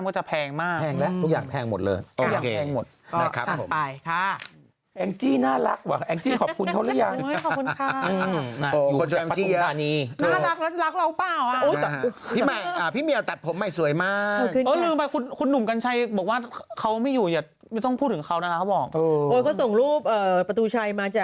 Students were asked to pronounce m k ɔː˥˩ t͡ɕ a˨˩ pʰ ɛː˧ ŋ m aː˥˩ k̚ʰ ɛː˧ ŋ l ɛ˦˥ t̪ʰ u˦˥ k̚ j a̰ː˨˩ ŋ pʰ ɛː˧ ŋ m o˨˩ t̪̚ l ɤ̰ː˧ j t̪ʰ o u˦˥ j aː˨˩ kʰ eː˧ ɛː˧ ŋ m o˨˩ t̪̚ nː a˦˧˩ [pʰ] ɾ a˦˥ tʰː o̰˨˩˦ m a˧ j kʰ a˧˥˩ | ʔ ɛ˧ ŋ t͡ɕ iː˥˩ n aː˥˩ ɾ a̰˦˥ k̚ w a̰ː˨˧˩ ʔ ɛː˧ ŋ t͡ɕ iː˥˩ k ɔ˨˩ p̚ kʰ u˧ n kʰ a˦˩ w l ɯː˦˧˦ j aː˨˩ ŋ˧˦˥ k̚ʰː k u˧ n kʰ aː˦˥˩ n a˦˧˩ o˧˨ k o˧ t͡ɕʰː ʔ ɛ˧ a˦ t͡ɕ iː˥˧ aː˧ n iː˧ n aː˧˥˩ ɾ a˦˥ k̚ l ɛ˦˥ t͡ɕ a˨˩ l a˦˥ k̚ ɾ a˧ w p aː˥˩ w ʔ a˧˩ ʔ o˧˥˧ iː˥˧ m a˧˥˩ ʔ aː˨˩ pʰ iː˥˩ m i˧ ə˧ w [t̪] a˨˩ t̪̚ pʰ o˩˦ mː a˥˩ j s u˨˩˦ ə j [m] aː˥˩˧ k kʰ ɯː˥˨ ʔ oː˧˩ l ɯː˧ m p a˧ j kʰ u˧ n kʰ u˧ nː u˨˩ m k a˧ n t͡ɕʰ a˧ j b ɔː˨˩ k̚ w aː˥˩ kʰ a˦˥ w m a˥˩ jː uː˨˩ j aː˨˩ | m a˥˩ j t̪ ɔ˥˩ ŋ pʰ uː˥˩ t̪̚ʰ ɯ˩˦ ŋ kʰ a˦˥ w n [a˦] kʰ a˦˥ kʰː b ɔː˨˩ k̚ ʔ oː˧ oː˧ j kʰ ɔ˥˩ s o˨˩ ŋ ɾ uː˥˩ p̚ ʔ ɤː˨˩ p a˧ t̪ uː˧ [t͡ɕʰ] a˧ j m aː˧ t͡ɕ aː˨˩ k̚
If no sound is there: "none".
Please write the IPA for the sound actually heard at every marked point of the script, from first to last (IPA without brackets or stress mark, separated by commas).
kʰ, t̪, m, a˦, t͡ɕʰ